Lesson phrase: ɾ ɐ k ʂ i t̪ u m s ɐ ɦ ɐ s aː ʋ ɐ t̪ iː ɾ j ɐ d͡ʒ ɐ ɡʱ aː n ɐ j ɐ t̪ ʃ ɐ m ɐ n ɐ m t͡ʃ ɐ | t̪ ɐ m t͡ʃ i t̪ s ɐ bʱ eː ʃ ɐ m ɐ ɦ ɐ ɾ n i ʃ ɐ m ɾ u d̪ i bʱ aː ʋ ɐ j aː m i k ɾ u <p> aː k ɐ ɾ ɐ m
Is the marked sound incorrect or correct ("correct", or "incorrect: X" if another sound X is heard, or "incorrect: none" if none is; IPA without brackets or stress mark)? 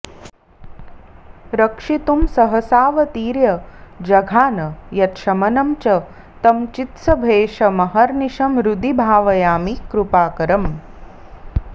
correct